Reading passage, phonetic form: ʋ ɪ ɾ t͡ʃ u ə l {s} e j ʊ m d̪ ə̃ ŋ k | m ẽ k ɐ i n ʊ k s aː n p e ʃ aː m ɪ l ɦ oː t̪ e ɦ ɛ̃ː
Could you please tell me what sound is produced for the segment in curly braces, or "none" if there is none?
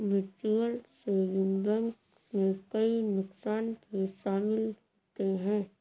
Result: s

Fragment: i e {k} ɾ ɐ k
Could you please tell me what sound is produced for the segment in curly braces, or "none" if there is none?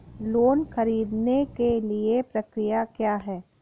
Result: p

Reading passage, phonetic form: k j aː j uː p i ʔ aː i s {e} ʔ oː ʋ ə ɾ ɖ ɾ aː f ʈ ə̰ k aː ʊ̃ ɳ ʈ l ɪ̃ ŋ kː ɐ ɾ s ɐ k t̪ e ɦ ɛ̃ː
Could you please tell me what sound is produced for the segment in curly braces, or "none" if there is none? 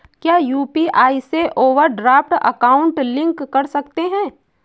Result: e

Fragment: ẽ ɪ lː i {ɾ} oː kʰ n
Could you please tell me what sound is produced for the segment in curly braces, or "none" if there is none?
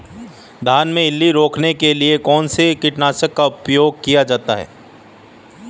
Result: ɾ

